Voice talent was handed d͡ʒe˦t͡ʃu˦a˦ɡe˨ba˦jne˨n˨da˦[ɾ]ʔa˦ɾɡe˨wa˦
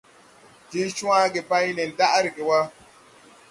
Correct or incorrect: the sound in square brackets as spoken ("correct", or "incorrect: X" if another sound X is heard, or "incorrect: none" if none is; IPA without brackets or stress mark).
incorrect: none